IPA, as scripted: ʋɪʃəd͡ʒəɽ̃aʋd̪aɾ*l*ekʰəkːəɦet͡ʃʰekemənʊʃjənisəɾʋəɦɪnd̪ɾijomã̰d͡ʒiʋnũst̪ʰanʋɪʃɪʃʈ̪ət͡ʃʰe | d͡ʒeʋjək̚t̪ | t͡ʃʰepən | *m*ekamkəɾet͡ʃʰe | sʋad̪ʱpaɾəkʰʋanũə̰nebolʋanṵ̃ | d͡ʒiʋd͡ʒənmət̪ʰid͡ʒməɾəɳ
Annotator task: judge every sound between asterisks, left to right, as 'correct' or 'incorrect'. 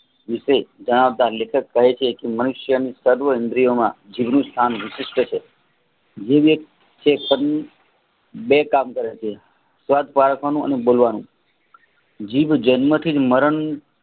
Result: correct, incorrect

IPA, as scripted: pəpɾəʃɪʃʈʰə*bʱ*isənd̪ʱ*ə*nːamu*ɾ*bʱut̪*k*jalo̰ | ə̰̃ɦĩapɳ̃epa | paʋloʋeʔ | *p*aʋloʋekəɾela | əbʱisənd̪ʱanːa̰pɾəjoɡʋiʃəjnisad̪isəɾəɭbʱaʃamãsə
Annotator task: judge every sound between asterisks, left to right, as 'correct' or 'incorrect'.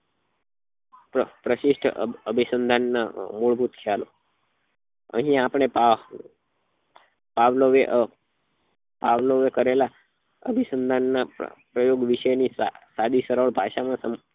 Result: correct, incorrect, incorrect, incorrect, correct

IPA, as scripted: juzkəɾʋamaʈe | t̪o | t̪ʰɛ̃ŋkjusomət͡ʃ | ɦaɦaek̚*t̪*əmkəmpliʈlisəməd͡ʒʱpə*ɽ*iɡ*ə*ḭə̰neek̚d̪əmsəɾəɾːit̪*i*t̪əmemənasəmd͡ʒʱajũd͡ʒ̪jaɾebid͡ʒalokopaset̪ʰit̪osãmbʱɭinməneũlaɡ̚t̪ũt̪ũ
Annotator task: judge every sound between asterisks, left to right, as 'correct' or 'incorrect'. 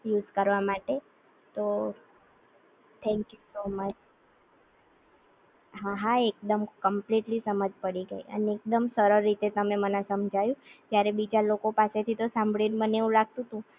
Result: incorrect, correct, correct, incorrect

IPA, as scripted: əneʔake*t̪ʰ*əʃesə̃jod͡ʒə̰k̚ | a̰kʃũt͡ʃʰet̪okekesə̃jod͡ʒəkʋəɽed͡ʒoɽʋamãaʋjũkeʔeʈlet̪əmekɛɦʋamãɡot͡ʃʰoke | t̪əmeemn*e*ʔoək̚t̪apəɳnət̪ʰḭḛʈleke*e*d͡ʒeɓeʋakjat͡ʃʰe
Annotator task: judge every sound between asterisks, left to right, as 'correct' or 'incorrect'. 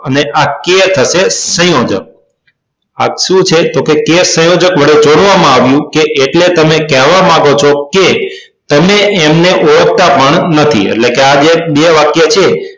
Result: correct, correct, incorrect

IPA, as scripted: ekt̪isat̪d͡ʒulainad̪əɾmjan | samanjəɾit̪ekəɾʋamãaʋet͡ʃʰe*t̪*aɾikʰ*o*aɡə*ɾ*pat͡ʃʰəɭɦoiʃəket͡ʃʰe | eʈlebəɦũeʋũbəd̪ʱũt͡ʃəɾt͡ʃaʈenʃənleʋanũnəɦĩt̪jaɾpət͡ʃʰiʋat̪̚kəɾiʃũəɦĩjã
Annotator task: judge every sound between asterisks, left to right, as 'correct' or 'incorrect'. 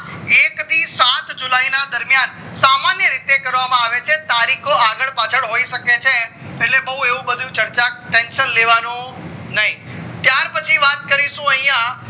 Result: correct, correct, incorrect

